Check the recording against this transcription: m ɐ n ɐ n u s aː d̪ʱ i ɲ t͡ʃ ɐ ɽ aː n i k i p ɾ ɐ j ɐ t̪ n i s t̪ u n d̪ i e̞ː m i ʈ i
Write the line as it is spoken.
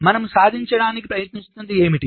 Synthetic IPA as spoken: m ɐ n ɐ m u s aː d̪ʱ i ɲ t͡ʃ ɐ ɽ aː n i k i p ɾ ɐ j ɐ t̪ n i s t̪ u n d̪ i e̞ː m i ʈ i